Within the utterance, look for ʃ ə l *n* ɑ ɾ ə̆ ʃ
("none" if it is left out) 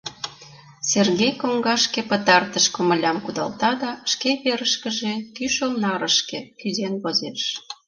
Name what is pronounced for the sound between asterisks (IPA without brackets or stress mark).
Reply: n